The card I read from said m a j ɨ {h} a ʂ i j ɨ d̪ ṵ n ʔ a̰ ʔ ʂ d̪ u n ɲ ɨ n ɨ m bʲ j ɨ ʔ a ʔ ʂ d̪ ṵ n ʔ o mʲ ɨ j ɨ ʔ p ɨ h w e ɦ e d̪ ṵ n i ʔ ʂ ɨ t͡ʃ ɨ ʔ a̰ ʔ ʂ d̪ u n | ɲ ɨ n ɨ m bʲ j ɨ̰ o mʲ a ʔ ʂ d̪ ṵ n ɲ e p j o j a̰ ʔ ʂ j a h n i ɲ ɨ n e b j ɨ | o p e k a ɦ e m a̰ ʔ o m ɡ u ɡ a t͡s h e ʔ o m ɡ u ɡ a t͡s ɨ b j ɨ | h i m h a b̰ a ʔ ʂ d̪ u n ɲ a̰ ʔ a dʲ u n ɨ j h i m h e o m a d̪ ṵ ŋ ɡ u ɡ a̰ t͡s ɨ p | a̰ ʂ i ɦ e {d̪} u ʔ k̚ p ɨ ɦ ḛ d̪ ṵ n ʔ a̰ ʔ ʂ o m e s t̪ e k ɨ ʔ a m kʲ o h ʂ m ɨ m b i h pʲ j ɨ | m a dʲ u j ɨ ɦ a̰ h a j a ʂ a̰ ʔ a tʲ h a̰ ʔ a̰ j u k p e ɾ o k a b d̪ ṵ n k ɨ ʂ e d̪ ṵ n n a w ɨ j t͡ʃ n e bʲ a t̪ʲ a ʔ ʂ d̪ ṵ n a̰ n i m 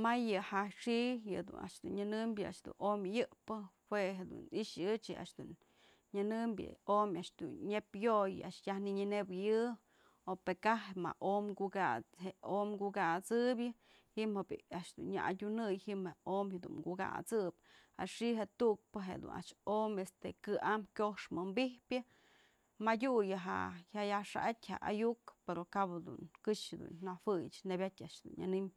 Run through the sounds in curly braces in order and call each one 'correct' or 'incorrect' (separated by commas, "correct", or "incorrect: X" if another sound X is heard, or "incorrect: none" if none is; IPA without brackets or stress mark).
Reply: correct, incorrect: t̪